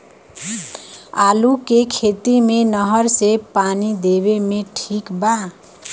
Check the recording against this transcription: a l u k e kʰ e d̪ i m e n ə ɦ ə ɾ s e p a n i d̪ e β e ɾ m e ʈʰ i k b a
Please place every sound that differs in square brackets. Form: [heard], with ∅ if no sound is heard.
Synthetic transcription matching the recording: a l u k e kʰ e [t̪] i m e n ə ɦ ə ɾ s e p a n i d̪ e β e [∅] m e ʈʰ i k b a